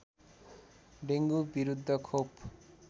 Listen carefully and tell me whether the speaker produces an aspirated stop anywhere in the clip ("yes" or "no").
yes